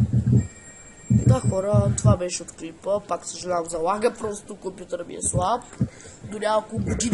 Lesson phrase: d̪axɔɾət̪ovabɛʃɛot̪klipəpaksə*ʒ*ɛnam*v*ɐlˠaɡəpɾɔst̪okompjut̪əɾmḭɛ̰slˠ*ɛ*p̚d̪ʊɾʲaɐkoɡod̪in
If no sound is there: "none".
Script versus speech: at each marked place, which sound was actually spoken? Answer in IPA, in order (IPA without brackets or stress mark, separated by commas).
ʒ, z, a